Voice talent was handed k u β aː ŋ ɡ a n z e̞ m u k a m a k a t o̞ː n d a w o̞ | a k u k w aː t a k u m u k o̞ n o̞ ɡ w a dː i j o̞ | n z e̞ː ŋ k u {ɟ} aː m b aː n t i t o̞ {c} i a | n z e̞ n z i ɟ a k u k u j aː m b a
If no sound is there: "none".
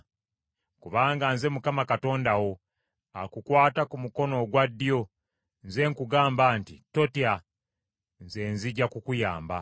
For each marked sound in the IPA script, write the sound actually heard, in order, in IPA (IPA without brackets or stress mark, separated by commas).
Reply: ɡ, t